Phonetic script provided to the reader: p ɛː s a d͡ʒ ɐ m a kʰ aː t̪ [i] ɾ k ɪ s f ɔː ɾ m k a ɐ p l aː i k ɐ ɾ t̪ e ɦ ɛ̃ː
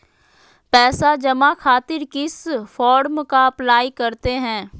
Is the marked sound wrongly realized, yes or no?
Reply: yes